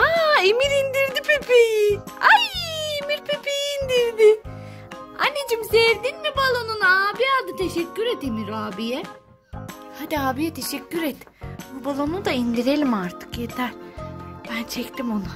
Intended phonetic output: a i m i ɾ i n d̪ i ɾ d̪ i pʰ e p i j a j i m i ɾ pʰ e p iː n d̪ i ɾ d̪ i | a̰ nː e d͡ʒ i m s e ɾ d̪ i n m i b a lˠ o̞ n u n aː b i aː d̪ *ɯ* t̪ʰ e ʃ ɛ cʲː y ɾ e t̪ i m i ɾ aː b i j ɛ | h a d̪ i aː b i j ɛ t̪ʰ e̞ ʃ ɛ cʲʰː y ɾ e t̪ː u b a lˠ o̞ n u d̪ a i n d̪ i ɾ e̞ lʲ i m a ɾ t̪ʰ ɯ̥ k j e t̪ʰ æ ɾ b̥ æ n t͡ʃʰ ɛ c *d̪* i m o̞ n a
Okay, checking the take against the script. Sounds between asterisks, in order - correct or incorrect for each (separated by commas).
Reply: correct, incorrect